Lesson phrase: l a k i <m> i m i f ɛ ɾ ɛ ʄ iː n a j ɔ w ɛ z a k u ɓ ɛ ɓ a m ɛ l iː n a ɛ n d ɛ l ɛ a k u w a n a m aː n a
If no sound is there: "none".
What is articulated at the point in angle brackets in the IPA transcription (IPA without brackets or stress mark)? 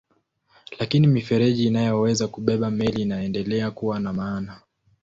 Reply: n